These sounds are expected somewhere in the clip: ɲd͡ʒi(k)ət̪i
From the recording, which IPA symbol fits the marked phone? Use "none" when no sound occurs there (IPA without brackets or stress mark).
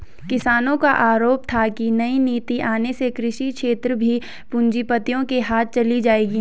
p